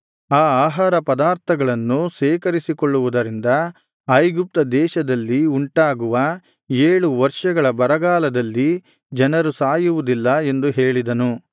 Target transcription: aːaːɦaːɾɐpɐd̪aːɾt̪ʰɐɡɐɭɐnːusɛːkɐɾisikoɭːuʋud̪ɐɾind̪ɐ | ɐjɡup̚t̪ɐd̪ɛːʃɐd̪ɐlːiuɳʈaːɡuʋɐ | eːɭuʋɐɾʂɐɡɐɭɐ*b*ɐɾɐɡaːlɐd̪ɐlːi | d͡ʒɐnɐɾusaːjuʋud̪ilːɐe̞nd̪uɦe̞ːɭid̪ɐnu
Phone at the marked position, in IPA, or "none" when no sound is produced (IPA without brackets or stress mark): b